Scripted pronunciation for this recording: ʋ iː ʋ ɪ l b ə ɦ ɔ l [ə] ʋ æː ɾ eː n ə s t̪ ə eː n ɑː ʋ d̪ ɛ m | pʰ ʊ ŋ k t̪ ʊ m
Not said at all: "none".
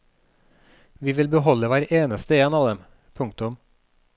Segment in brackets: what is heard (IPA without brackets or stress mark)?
ə